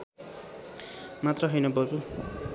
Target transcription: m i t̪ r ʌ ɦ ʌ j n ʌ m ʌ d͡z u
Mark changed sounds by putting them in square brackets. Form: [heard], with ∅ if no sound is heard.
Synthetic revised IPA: m [a] t̪ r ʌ ɦ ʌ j n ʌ [b] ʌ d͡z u